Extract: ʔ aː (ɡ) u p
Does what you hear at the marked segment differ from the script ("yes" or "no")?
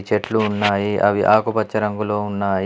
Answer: yes